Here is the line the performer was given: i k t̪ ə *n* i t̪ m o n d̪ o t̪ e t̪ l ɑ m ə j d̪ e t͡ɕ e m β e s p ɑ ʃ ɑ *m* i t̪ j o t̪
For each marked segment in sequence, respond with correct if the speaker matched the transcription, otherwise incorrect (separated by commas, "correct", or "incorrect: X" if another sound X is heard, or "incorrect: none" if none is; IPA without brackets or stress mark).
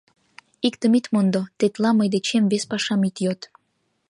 incorrect: m, correct